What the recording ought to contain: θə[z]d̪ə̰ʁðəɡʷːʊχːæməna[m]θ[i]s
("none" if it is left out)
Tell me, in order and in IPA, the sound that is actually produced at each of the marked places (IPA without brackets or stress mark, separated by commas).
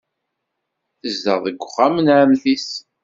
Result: z, m, i